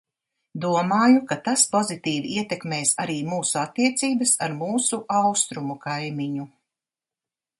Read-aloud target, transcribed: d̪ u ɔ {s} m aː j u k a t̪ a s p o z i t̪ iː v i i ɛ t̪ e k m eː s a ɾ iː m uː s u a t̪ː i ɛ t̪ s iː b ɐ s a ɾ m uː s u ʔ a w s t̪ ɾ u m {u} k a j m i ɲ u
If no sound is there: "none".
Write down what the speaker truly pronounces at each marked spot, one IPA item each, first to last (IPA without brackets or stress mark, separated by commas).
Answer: none, u